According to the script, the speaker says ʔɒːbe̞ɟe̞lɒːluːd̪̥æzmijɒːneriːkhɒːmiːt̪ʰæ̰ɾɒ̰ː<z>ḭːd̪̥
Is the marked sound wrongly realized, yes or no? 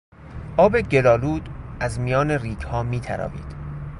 yes